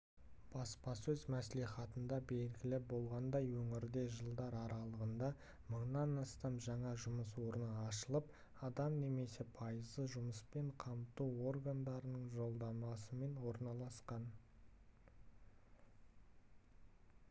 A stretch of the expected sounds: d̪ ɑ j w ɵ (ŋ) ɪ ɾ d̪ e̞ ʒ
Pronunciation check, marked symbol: correct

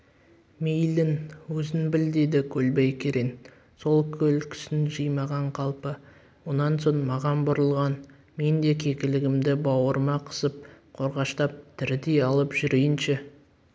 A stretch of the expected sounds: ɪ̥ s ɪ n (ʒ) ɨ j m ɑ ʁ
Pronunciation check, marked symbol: correct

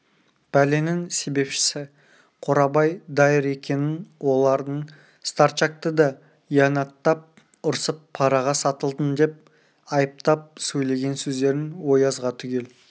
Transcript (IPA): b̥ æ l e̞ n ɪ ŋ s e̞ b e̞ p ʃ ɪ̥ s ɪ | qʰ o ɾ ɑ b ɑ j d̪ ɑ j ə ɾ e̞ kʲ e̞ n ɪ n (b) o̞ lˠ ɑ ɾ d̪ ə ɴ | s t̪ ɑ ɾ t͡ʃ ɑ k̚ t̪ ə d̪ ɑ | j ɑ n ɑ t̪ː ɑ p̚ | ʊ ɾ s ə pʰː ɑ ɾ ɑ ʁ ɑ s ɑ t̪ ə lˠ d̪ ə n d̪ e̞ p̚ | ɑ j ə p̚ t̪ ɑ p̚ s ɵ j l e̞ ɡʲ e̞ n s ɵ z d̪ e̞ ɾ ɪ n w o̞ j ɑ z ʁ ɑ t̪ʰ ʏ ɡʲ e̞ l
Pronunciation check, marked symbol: incorrect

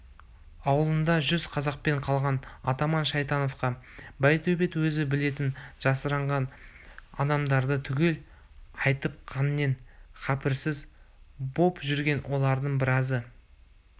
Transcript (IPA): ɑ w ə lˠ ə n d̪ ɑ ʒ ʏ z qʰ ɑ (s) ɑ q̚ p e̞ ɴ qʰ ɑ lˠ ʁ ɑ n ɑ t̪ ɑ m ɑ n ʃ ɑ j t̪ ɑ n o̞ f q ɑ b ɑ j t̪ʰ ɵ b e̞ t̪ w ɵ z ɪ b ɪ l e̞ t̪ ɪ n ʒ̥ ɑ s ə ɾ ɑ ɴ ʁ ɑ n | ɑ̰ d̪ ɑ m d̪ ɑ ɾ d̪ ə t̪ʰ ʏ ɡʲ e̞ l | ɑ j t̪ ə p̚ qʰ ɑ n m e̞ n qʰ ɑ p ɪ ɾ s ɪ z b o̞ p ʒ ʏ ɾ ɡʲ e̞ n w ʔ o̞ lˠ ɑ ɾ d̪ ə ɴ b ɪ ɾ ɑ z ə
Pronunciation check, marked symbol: incorrect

